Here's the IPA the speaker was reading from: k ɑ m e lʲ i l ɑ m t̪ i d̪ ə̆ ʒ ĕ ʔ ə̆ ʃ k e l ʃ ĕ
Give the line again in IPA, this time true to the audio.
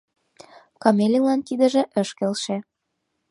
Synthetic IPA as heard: k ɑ m e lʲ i l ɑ n t̪ i d̪ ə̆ ʒ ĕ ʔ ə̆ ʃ k e l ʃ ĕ

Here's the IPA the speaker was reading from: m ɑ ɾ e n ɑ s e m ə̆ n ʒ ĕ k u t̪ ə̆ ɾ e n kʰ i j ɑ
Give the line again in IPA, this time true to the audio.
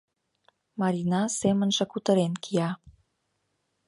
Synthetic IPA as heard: m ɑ ɾ i n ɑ s e m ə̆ n ʒ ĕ k u t̪ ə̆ ɾ e n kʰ i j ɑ

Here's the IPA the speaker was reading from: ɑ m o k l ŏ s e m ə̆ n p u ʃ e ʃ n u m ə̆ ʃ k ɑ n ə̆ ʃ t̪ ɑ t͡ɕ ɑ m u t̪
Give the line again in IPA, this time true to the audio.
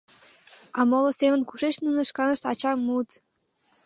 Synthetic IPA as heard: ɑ m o l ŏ s e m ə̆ n k u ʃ e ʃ n u n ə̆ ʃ k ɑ n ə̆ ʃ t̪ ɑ t͡ɕ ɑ m u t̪

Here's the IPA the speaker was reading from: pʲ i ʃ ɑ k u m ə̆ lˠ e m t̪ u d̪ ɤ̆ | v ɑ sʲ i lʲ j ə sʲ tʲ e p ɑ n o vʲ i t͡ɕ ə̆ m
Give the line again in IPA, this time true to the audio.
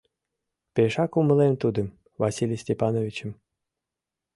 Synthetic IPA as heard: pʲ e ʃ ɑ k u m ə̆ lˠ e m t̪ u d̪ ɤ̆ | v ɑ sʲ i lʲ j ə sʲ tʲ e p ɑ n o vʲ i t͡ɕ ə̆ m

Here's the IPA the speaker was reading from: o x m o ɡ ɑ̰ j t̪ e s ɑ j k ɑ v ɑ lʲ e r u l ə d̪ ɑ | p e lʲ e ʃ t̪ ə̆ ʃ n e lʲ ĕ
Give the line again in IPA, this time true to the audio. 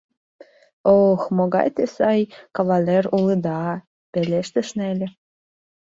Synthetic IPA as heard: o x m o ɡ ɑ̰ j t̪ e s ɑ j k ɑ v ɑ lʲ e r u l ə d̪ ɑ | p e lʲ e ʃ t̪ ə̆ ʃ n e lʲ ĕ

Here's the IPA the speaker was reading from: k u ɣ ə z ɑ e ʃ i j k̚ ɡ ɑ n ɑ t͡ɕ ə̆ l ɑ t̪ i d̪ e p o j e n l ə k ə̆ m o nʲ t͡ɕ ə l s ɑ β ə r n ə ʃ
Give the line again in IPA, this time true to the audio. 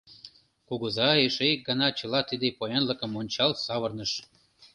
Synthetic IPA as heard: k u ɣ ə z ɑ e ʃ e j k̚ ɡ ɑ n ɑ t͡ɕ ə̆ l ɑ t̪ i d̪ e p o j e n l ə k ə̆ m o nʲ t͡ɕ ɑ l s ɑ β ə r n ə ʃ

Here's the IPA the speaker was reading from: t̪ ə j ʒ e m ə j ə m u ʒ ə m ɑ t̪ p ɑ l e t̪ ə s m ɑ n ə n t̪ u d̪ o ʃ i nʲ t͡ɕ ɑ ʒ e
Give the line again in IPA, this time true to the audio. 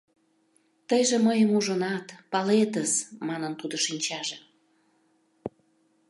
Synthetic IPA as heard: t̪ ə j ʒ e m ə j ə m u ʒ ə n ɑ t̪ p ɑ l e t̪ ə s m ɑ n ə n t̪ u d̪ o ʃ i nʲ t͡ɕ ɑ ʒ e

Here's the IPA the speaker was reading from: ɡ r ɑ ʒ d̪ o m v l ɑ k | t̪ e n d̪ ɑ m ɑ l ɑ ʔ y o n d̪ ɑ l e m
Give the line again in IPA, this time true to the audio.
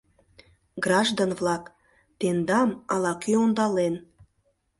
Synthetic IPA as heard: ɡ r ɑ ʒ d̪ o n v l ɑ k | t̪ e n d̪ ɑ m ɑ l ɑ k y o n d̪ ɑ l e n

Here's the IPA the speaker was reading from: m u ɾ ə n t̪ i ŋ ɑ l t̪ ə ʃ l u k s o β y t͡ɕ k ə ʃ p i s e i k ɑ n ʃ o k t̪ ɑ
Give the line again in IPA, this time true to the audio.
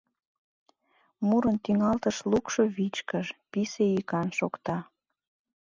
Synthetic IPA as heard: m u ɾ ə n t̪ i ŋ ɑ l t̪ ə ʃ l u k ʃ o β i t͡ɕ k ə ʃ p i s e i k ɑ n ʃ o k t̪ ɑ

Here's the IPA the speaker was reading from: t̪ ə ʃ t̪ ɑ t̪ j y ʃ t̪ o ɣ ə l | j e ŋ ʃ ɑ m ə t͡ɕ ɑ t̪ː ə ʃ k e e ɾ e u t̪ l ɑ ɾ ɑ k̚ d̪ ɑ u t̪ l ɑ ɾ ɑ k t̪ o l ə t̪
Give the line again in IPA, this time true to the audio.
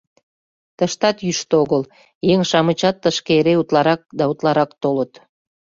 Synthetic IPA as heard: t̪ ə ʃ t̪ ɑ t̪ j y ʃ t̪ o ɣ ə l | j e ŋ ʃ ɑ m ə t͡ɕ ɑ t̪ː ə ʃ k e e ɾ e u t̪ l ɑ ɾ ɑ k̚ d̪ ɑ u t̪ l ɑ ɾ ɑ k t̪ o l ə t̪

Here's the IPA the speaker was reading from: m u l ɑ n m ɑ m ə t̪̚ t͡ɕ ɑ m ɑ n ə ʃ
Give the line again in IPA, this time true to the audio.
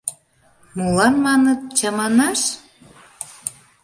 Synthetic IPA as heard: m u l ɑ n m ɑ n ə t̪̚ t͡ɕ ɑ m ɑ n ɑ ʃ

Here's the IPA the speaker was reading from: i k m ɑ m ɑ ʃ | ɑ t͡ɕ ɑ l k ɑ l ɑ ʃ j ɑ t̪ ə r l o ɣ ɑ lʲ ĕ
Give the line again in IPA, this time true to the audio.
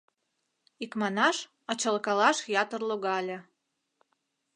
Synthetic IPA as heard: i k m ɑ n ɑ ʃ | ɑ t͡ɕ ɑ l k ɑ l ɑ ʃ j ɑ t̪ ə r l o ɣ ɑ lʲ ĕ

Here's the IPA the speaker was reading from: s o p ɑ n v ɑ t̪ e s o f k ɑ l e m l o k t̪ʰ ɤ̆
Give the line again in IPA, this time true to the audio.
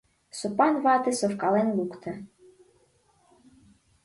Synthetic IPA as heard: s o p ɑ n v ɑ t̪ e s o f k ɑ l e n l u k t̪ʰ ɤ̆

